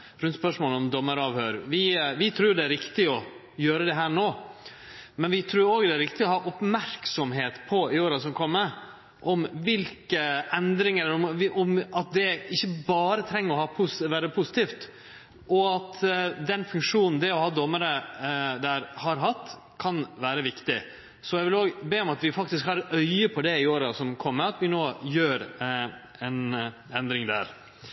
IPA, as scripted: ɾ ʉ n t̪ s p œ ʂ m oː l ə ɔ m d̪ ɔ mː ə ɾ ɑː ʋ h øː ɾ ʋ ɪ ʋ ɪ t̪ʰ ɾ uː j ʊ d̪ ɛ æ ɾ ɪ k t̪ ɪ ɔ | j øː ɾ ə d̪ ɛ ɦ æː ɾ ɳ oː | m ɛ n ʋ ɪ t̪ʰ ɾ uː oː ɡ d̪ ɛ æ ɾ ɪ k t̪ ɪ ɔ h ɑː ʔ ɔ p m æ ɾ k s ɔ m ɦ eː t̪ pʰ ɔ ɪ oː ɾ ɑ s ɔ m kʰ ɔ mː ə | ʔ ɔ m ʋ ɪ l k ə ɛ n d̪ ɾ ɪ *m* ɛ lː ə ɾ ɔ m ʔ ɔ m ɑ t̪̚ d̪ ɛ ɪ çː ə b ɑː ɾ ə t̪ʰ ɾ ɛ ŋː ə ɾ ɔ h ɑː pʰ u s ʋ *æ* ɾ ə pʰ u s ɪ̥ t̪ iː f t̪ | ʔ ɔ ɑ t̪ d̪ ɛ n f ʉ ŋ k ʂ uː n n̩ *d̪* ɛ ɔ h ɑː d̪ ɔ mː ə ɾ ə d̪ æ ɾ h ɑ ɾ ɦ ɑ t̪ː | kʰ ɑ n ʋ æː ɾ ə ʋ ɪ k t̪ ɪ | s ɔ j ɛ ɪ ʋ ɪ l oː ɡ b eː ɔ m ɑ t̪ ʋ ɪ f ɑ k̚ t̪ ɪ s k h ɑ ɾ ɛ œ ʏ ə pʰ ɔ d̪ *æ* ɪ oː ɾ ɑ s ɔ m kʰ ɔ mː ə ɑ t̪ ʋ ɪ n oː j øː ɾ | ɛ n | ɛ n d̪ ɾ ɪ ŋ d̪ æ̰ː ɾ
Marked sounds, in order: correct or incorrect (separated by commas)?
incorrect, incorrect, correct, incorrect